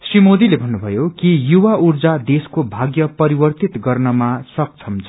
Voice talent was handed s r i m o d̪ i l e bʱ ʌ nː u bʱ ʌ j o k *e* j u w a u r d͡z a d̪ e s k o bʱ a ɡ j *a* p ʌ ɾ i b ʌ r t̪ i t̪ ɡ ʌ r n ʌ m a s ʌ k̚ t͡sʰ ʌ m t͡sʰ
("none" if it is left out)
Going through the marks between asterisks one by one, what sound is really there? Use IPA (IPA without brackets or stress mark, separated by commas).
i, ʌ